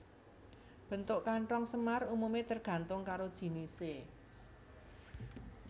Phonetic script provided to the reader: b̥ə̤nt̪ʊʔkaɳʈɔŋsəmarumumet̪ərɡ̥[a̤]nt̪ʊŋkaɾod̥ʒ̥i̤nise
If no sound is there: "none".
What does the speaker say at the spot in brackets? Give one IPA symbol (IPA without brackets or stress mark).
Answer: a̤